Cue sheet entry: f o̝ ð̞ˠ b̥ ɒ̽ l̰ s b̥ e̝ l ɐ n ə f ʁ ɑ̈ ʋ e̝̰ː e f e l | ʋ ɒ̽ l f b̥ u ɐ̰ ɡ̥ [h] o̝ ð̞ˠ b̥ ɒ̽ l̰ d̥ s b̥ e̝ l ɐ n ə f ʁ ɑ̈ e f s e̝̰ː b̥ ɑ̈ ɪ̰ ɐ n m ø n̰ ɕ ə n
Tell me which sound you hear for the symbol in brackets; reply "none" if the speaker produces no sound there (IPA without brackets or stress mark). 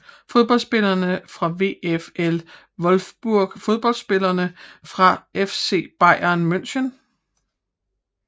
f